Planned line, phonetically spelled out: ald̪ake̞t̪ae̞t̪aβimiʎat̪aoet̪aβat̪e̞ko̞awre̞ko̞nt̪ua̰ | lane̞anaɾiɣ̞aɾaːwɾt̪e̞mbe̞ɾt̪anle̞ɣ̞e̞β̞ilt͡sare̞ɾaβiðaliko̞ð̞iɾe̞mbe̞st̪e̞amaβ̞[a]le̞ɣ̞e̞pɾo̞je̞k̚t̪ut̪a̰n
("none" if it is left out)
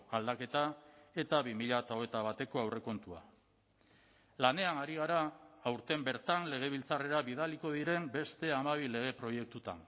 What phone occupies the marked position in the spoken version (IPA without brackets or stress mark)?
i